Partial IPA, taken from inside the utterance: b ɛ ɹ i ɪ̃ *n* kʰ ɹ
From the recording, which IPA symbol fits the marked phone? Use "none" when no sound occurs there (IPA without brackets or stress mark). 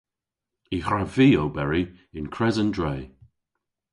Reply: n